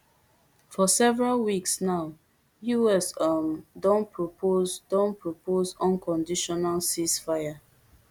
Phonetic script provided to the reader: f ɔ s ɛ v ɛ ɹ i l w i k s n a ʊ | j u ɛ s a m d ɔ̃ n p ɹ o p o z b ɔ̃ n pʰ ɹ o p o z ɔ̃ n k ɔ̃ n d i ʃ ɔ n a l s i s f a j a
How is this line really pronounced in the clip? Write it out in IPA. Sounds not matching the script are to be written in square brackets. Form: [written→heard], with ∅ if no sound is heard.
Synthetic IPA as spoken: f ɔ s ɛ v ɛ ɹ [i→a] l w i k s n a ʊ | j u ɛ s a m d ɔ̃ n p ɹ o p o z [b→d] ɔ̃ n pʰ ɹ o p o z ɔ̃ n k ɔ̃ n d i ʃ ɔ n a l s i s f a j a